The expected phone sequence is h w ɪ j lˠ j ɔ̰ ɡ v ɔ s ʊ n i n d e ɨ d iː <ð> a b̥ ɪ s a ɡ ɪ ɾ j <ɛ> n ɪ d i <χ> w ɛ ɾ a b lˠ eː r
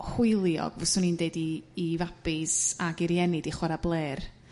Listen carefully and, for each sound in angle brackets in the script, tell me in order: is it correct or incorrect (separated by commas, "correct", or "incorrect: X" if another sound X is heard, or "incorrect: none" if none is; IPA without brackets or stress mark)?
incorrect: v, correct, correct